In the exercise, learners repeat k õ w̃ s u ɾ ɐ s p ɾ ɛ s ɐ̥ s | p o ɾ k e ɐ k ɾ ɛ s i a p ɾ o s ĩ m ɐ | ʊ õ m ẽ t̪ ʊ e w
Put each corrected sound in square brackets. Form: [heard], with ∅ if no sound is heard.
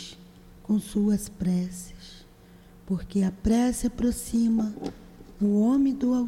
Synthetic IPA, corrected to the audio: k õ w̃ s u [∅] ɐ s p ɾ ɛ s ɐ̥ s | p o ɾ k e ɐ [p] ɾ ɛ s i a p ɾ o s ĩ m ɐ | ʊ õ m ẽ [d̪] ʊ [a] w